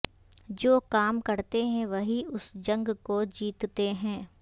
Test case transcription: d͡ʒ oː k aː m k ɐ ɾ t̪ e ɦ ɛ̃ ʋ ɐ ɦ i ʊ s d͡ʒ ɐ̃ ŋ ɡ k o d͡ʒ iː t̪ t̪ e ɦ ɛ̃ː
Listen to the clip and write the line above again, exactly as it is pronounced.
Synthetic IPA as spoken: d͡ʒ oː k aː m k ɐ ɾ t̪ e ɦ ɛ̃ ʋ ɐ ɦ i ʊ s d͡ʒ ɐ̃ ŋ ɡ k o d͡ʒ iː t̪ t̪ e ɦ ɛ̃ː